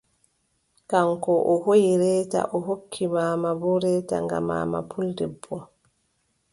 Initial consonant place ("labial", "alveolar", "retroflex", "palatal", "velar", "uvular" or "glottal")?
velar